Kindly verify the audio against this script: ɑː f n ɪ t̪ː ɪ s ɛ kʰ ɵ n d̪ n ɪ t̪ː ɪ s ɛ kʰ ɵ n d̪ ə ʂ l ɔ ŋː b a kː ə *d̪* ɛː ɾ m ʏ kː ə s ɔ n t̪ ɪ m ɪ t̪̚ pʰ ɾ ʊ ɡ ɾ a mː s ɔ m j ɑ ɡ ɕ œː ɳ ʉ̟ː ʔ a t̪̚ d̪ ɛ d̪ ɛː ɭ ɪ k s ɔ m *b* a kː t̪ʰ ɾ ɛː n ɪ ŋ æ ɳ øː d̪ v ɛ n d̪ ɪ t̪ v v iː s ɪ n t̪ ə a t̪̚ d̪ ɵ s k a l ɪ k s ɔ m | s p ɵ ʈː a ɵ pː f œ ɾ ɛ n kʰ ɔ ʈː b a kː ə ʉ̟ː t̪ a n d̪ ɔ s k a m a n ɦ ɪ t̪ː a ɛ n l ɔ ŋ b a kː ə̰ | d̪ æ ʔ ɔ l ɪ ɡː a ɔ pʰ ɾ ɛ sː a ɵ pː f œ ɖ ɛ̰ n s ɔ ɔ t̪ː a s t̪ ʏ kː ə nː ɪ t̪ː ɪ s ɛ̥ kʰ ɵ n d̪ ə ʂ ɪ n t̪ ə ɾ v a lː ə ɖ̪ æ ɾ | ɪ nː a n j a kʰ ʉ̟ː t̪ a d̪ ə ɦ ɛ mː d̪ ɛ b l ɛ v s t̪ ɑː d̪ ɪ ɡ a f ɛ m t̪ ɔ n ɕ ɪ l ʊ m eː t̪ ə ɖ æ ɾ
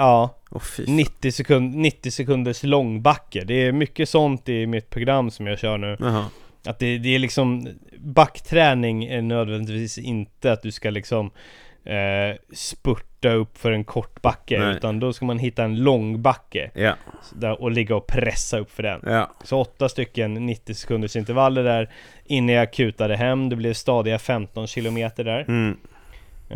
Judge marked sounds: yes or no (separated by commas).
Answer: yes, yes